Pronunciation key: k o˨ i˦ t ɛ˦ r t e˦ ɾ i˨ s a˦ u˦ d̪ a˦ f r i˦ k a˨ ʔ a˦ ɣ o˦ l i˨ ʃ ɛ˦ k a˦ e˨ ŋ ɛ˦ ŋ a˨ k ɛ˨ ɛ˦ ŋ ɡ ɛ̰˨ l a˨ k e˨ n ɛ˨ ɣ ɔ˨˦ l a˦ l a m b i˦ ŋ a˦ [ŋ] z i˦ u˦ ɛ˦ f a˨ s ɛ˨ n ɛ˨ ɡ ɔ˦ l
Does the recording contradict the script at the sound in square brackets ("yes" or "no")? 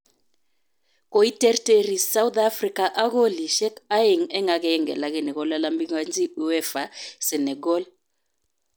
yes